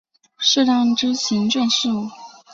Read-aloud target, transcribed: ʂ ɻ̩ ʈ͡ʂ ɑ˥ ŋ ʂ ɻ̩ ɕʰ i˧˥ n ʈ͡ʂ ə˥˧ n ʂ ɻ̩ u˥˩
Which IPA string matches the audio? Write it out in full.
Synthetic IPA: ʂ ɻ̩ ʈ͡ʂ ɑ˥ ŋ ʈ͡ʂ ɻ̩ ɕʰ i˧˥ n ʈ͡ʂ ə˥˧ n ʂ ɻ̩ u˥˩